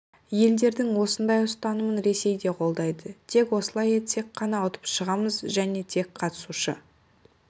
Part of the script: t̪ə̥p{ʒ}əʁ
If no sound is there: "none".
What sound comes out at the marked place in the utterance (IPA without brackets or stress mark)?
ʃ